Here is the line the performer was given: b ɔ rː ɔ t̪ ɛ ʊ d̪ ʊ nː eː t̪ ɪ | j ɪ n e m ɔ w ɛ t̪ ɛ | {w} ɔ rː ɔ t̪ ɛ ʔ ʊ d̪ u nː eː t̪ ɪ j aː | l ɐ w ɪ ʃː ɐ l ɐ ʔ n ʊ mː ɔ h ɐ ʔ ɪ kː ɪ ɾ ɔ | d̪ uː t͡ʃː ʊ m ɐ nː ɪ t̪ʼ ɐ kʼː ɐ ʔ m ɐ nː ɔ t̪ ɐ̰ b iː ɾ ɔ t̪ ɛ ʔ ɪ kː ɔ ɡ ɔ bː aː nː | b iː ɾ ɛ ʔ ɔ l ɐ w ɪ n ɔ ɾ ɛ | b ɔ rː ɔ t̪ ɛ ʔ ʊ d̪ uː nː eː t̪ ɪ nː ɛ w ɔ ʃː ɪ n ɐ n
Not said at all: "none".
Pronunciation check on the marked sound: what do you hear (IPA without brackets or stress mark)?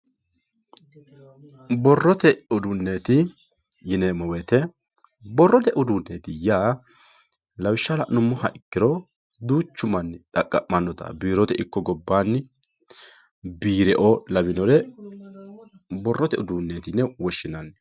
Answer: b